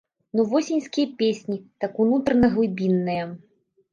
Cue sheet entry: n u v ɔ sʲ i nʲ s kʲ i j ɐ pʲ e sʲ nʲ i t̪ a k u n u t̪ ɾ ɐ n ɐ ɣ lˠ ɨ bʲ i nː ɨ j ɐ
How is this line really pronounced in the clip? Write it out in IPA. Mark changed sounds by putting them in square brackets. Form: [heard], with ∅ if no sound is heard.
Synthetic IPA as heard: n u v ɔ sʲ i nʲ s kʲ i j ɐ pʲ e sʲ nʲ i t̪ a k u n u t̪ ɾ ɐ n ɐ ɣ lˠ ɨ bʲ i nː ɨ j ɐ

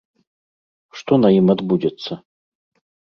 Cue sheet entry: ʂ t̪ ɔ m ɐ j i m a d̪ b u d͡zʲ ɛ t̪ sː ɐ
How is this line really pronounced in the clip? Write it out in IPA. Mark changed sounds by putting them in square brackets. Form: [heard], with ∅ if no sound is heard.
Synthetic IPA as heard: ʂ t̪ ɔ [n] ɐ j i m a d̪ b u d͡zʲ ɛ t̪ sː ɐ

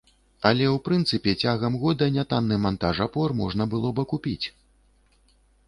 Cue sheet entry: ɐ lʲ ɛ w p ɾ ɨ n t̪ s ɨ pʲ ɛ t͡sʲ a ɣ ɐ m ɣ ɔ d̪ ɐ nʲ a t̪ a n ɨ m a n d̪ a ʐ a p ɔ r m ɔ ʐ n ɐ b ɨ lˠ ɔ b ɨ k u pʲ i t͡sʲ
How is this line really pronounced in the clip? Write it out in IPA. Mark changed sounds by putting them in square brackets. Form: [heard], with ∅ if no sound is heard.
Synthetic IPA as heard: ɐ lʲ ɛ w p ɾ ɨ n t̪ s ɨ pʲ ɛ t͡sʲ a ɣ ɐ m ɣ ɔ d̪ ɐ nʲ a t̪ a [nː] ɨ m a n [t̪] a ʐ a p ɔ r m ɔ ʐ n ɐ b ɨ lˠ ɔ b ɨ k u pʲ i t͡sʲ

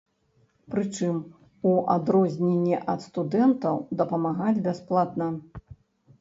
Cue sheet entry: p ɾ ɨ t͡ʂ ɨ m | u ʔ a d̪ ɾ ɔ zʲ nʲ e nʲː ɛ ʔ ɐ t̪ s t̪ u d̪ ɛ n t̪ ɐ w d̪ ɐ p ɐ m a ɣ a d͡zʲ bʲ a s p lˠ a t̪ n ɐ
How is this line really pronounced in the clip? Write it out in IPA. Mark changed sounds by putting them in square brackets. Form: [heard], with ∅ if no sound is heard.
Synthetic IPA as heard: p ɾ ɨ t͡ʂ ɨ m | u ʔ a d̪ ɾ ɔ zʲ nʲ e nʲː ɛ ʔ ɐ t̪ s t̪ u d̪ ɛ n t̪ ɐ w d̪ ɐ p ɐ m a ɣ a d͡zʲ bʲ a s p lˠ a t̪ n ɐ

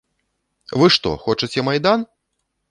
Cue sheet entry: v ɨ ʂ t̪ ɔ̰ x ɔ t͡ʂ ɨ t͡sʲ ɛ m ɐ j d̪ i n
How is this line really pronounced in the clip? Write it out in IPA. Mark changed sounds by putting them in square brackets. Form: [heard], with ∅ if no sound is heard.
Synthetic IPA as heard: v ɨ ʂ t̪ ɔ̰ x ɔ t͡ʂ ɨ t͡sʲ ɛ m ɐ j d̪ [a] n

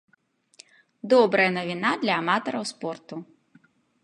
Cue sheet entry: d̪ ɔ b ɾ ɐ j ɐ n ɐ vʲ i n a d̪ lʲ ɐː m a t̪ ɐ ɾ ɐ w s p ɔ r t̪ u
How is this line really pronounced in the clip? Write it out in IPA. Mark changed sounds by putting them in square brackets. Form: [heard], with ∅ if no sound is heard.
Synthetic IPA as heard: d̪ ɔ b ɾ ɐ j ɐ n ɐ vʲ i n a d̪ lʲ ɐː m a t̪ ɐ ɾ ɐ w s p ɔ r t̪ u

